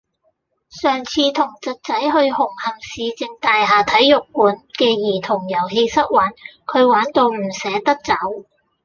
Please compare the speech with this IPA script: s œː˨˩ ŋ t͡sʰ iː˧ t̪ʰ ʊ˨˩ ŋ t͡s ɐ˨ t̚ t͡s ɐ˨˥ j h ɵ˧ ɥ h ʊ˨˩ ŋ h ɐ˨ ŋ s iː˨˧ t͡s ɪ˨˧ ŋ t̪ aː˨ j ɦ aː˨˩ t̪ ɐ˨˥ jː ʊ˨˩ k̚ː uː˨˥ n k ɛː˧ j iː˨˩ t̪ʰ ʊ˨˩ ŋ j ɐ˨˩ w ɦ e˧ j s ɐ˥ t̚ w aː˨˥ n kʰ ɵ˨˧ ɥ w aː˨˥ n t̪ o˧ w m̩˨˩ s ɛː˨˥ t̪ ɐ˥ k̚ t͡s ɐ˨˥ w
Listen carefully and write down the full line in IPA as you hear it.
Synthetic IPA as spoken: s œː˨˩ ŋ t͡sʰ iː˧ t̪ʰ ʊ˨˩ ŋ t͡s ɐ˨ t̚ t͡s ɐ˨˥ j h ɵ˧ ɥ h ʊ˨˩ ŋ h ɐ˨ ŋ s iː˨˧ t͡s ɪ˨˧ ŋ t̪ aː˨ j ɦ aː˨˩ t̪ʰ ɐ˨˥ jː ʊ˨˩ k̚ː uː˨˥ n k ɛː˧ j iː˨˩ t̪ʰ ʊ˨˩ ŋ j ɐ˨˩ w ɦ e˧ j s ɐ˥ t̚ w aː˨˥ n kʰ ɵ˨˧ ɥ w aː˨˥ n t̪ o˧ w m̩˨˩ s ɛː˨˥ t̪ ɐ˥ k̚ t͡s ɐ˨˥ w